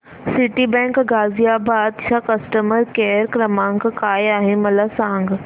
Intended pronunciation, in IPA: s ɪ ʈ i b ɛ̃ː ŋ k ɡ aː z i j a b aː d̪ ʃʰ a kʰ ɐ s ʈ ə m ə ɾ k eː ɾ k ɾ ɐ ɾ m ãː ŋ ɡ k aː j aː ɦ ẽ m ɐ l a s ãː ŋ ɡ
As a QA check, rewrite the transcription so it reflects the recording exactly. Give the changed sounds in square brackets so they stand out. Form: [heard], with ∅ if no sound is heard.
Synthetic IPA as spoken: s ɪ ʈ i b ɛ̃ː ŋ k ɡ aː z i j a b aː d̪ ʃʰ a [k] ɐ s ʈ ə m ə ɾ k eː ɾ k ɾ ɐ [∅] m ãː ŋ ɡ k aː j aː ɦ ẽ m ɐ l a s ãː ŋ ɡ